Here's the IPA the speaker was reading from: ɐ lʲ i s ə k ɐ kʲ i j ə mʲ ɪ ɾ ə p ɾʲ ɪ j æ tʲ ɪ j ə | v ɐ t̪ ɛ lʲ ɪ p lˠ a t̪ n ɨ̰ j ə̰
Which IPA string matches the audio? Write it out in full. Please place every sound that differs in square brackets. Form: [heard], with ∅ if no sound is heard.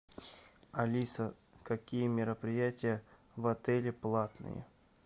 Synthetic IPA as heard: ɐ lʲ i s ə k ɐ kʲ i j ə mʲ ɪ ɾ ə p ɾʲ ɪ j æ tʲ ɪ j ə | v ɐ t̪ ɛ lʲ ɪ p lˠ a t̪ n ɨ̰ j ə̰